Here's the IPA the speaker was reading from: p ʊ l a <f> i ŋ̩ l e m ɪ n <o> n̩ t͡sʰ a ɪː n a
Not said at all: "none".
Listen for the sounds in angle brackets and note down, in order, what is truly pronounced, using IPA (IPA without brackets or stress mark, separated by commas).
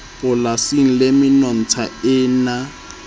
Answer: s, ɔ